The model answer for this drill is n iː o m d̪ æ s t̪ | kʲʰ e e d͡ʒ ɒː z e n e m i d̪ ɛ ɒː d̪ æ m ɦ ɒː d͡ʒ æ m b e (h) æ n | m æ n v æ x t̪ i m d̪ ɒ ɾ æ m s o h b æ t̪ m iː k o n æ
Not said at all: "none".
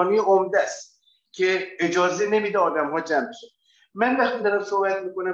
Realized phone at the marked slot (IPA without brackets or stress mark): ʃ